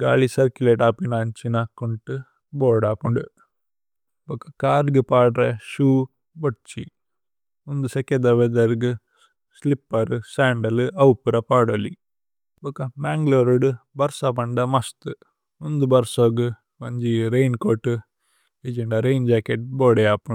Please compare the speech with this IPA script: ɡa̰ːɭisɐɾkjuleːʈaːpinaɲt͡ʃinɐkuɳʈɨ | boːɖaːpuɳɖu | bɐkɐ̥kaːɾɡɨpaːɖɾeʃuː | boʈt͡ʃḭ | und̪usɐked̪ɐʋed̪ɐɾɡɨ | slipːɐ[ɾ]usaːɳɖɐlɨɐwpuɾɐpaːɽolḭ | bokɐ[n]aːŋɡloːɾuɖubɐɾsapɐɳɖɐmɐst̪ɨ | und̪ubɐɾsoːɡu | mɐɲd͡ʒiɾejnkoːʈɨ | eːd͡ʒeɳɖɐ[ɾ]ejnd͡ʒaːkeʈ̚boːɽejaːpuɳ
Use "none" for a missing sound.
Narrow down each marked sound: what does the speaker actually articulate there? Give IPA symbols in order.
ɾ, m, ɾ

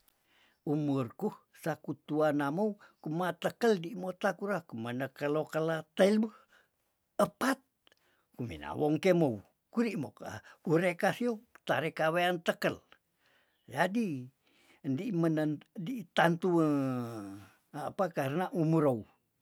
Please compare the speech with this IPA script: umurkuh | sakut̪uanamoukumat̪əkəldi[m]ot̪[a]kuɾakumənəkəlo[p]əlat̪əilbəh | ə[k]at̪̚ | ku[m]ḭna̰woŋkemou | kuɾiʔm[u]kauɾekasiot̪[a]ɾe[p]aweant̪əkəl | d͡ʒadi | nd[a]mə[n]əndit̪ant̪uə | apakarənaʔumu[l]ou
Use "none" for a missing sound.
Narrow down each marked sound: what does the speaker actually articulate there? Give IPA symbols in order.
m, a, k, p, m, o, a, k, i, n, ɾ

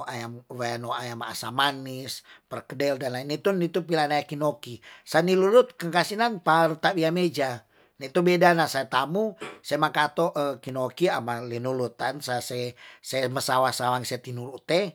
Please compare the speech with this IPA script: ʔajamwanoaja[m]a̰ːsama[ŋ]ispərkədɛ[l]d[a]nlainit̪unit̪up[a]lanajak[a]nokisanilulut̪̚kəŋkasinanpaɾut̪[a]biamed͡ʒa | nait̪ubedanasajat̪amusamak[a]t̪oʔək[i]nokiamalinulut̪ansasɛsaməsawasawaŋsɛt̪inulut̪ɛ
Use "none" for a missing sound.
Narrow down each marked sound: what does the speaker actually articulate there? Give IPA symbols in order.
m, n, l, a, i, i, a, a, i

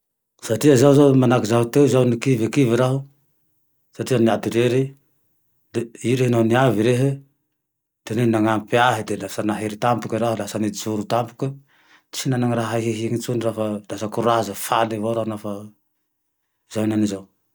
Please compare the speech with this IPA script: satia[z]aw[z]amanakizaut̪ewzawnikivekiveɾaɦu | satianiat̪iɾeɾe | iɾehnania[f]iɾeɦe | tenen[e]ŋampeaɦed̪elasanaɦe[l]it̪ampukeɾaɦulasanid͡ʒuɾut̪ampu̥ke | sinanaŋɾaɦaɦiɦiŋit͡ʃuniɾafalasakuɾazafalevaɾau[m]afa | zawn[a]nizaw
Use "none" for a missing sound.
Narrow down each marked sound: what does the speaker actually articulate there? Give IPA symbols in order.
z, z, v, a, ɾ, n, a

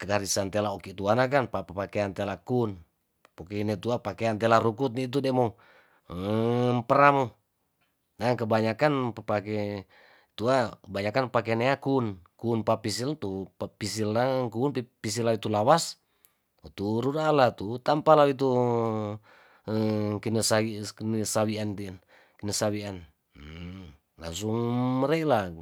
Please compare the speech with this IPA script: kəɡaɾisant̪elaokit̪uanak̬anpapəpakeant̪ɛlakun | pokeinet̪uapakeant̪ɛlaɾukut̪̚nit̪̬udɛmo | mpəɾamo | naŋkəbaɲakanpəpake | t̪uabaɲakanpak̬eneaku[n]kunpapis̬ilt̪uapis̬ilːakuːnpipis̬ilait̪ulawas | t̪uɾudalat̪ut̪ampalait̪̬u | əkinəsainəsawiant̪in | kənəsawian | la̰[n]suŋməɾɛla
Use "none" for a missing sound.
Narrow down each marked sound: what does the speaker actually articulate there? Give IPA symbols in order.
n, ŋ

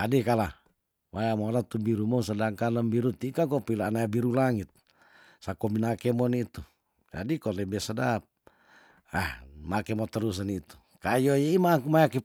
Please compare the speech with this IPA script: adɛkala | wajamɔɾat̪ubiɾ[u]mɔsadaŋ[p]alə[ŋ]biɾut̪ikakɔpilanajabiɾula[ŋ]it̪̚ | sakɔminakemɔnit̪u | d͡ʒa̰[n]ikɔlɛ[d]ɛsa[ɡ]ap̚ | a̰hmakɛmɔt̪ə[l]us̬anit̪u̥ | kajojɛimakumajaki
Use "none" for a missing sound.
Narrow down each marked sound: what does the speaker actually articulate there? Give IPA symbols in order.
u, k, m, ŋ, d, b, d, ɾ

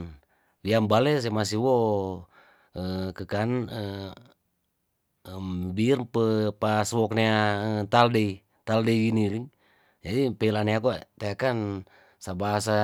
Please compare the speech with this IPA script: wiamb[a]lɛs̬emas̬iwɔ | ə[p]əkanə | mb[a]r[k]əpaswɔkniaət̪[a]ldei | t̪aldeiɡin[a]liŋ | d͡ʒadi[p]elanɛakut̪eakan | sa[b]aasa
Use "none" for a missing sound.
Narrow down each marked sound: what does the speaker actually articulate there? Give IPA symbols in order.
a, k, i, p, a, i, p, b

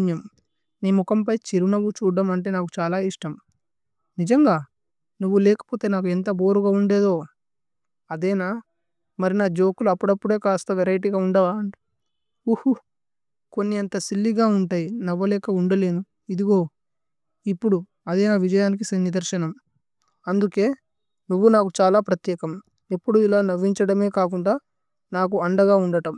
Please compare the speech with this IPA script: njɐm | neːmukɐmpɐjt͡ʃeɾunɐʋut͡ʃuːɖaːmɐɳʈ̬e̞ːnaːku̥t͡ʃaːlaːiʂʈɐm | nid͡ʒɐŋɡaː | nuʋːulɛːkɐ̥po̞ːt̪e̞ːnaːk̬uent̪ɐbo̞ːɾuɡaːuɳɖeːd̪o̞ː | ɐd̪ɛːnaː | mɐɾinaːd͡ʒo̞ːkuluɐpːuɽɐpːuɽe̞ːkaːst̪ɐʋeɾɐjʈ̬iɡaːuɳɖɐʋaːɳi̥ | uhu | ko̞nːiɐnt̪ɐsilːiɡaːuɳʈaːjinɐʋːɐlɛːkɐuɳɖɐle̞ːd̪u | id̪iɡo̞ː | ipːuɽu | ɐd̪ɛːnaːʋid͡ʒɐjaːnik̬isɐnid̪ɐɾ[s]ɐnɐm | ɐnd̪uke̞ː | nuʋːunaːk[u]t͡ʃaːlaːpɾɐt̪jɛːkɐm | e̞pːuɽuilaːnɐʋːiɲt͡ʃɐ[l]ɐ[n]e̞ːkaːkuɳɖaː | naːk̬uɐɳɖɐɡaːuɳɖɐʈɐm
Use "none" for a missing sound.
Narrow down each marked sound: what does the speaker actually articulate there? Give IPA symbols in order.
ʃ, u, ɽ, m

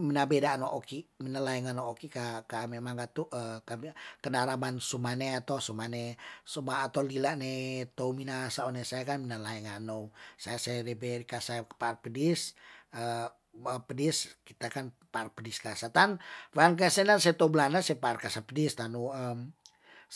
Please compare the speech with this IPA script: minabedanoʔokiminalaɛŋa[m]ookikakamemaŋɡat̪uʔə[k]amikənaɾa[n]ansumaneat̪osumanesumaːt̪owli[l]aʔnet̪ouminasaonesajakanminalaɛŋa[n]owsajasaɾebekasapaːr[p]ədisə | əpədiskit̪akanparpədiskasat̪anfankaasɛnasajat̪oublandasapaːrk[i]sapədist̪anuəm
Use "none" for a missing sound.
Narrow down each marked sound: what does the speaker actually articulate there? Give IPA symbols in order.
n, k, m, l, n, p, a

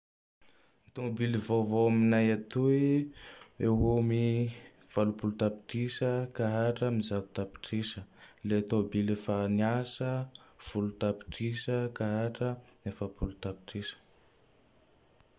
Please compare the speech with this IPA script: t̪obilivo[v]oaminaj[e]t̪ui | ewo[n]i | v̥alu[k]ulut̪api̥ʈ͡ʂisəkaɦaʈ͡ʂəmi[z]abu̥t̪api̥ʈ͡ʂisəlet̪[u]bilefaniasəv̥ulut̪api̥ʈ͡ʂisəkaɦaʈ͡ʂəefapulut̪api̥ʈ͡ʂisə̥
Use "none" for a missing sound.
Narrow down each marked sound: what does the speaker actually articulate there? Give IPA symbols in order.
v, a, m, p, z, o

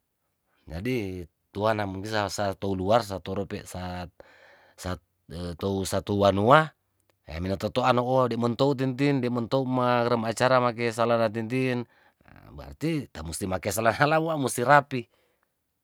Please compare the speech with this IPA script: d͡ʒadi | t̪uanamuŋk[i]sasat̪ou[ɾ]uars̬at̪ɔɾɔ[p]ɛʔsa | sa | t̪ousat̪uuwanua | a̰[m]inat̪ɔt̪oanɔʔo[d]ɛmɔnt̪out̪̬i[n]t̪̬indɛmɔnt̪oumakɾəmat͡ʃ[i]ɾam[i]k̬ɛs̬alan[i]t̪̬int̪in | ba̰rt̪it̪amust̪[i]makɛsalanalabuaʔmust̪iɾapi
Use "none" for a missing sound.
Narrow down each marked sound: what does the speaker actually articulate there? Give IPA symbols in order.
i, l, p, m, d, n, a, a, a, i

